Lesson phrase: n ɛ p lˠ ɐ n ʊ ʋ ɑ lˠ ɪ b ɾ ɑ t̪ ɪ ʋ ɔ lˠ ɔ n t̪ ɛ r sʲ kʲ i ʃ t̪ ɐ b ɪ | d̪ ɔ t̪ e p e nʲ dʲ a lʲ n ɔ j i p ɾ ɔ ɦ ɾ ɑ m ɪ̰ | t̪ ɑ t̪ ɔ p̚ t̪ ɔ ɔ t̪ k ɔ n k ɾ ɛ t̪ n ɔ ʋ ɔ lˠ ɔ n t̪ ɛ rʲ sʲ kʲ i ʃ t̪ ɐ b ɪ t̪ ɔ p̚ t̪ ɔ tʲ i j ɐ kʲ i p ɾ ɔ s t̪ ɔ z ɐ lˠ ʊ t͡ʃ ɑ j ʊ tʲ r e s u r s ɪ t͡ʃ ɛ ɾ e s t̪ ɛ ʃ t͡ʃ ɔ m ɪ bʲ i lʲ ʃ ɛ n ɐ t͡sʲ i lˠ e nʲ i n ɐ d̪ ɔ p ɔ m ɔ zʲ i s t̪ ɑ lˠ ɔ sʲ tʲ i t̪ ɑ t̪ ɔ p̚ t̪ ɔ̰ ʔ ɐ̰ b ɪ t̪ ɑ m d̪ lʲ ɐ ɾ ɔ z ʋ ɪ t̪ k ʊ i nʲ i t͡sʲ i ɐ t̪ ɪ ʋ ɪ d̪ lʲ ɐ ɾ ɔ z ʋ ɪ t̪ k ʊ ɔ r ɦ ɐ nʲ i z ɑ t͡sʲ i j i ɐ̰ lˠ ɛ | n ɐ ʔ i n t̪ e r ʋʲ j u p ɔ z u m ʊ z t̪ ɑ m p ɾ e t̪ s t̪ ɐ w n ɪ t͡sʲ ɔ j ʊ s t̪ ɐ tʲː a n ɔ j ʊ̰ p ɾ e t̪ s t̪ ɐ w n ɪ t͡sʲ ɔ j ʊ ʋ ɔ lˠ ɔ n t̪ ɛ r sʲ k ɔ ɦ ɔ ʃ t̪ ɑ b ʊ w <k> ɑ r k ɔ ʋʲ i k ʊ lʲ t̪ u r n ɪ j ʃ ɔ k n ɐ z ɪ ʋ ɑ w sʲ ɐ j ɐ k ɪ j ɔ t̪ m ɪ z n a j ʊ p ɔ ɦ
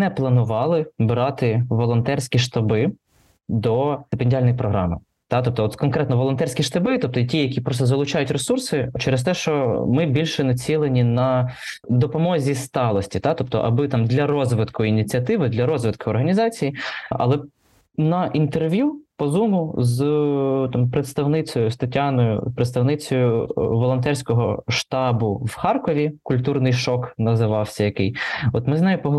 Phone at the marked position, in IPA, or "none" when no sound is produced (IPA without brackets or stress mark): x